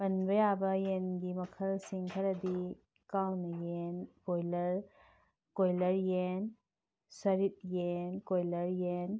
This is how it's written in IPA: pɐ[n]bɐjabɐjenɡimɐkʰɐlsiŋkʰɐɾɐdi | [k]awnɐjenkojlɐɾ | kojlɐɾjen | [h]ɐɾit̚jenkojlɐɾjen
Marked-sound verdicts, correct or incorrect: correct, correct, incorrect

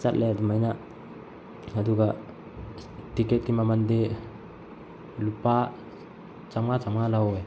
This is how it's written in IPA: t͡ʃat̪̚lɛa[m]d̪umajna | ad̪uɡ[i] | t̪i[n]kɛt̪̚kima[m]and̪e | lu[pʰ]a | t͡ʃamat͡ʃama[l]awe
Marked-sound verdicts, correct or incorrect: incorrect, incorrect, incorrect, correct, incorrect, correct

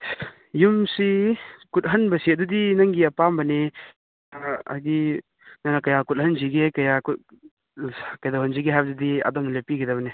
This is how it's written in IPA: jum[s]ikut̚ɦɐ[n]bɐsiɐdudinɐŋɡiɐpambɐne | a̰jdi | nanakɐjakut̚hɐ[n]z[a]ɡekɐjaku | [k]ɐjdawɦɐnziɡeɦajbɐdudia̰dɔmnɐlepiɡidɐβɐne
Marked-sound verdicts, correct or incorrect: correct, correct, correct, incorrect, correct

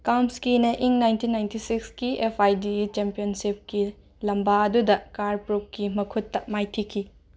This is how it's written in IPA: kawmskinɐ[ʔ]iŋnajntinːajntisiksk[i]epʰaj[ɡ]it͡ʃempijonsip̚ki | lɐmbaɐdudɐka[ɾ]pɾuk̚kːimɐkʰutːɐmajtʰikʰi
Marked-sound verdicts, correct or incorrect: correct, correct, incorrect, correct

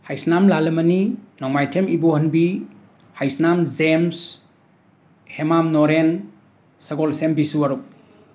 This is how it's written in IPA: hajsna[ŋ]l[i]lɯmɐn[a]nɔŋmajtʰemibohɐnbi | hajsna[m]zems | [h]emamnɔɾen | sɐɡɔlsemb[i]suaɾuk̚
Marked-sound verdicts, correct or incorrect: incorrect, incorrect, incorrect, correct, correct, correct

